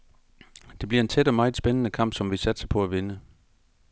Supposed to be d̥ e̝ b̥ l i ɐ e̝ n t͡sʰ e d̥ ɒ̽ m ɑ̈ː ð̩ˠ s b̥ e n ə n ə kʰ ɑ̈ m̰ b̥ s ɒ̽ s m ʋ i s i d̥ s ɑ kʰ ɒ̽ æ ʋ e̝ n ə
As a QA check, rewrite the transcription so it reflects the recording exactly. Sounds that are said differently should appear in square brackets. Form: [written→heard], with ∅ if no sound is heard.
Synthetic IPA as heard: d̥ e̝ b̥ l i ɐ e̝ n t͡sʰ e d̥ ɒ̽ m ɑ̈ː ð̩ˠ s b̥ e n ə n ə kʰ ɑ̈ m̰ b̥ s ɒ̽ [s→∅] m ʋ i s [i→æ] d̥ s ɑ [kʰ→pʰ] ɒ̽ æ ʋ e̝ n ə